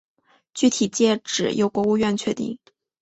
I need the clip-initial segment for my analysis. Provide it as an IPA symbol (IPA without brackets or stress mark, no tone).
t͡ɕ